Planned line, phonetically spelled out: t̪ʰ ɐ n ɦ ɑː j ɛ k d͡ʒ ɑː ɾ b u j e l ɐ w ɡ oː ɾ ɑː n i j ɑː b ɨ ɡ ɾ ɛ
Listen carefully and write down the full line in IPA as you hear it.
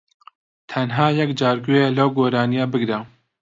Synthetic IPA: t̪ʰ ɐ n ɦ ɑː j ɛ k d͡ʒ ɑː ɾ ɡ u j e l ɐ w ɡ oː ɾ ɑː n i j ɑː b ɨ ɡ ɾ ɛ

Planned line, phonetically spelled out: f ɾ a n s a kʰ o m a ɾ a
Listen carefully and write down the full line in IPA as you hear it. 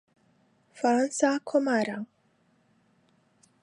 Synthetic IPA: f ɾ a n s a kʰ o m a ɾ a

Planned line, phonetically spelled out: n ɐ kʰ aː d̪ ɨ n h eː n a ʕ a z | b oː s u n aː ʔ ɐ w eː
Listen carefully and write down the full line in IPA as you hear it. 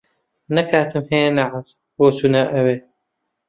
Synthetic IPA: n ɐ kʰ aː t̪ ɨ m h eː n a ʕ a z | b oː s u n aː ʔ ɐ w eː

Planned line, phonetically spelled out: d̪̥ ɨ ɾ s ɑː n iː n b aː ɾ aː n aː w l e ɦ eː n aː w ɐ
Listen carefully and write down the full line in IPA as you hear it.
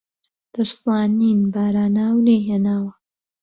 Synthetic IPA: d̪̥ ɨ ɾ s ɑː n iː n b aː ɾ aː n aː w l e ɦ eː n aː w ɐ

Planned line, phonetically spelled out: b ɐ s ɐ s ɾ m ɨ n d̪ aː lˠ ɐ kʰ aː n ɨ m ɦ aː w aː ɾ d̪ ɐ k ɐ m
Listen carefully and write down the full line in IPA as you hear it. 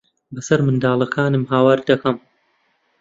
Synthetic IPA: b ɐ s ɐ ɾ m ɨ n d̪ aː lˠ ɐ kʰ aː n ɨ m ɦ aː w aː ɾ d̪ ɐ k ɐ m

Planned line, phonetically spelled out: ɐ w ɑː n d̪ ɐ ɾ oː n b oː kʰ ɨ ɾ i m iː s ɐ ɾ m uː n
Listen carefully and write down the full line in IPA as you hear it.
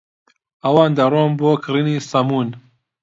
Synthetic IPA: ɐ w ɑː n d̪ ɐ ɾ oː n b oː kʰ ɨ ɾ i n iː s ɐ m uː n

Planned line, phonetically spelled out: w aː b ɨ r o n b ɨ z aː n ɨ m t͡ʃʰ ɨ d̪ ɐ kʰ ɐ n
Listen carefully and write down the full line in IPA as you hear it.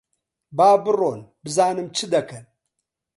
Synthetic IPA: b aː b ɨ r o n b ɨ z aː n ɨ m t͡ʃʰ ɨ d̪ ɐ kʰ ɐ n

